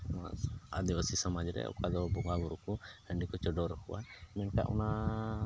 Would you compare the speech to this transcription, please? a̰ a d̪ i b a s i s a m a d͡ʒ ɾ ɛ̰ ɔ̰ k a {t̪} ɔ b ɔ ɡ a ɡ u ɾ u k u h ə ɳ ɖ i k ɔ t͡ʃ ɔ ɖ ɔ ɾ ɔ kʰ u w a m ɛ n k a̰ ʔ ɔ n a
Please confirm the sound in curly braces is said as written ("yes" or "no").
no